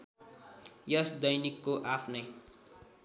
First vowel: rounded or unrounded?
unrounded